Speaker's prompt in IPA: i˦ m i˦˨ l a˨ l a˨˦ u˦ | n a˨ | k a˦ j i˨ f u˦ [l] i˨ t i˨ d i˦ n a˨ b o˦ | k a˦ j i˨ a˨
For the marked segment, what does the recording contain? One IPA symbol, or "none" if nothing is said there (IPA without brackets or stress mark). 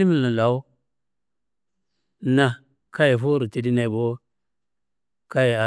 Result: ɾ